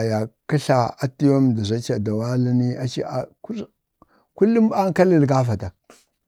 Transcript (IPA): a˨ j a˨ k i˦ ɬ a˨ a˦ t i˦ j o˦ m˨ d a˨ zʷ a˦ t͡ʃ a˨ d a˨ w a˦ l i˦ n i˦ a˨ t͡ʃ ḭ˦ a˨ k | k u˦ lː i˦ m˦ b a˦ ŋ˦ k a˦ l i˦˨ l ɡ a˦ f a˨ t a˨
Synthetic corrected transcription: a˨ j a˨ k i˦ ɬ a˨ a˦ t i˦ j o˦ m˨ d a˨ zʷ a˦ t͡ʃ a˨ d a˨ w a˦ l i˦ n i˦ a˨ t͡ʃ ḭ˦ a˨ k | k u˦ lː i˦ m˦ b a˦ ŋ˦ k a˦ l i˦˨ l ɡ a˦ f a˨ t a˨